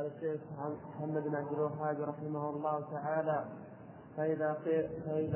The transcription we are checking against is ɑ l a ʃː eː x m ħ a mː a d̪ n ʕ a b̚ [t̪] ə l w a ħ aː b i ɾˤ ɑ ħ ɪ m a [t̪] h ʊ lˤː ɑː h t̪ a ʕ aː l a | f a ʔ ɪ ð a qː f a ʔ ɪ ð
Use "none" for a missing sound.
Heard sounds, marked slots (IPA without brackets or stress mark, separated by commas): d̪, none